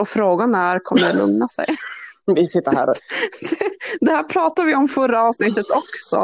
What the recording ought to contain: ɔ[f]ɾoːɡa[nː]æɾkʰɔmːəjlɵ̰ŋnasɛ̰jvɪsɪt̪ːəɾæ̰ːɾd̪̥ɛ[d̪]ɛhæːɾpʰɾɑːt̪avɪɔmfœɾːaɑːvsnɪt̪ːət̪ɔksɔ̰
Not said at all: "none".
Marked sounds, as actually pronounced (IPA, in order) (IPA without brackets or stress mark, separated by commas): f, n, d̪